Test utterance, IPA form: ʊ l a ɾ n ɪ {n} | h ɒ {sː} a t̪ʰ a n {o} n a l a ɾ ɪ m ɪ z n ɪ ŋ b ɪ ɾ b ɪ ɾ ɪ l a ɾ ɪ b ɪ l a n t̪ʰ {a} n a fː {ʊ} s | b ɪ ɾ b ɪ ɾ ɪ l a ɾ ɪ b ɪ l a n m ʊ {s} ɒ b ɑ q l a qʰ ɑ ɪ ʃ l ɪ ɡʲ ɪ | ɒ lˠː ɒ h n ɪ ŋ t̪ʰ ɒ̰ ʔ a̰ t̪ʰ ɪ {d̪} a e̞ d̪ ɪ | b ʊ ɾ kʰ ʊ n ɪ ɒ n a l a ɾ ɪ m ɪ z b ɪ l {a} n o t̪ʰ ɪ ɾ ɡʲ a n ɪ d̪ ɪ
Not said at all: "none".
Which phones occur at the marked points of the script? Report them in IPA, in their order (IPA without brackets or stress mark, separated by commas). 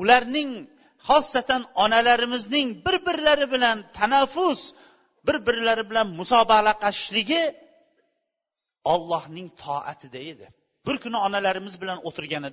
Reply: ŋ, sː, ɒ, a, ʊ, s, d̪, a